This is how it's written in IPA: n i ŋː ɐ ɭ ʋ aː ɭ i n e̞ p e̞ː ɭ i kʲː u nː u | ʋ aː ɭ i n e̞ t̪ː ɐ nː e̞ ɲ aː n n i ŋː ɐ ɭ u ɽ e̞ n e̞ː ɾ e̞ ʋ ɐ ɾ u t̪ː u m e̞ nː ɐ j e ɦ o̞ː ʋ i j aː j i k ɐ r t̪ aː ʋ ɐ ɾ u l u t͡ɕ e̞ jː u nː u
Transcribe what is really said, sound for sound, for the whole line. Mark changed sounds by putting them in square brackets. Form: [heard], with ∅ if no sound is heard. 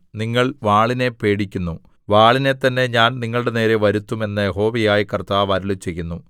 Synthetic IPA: n i ŋː ɐ ɭ ʋ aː ɭ i n e̞ p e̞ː [ɽ] i kʲː u nː u | ʋ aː ɭ i n e̞ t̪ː ɐ nː e̞ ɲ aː n n i ŋː ɐ ɭ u ɽ e̞ n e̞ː ɾ e̞ ʋ ɐ ɾ u t̪ː u m e̞ nː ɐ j e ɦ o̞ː ʋ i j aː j i k ɐ r t̪ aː ʋ ɐ ɾ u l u t͡ɕ e̞ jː u nː u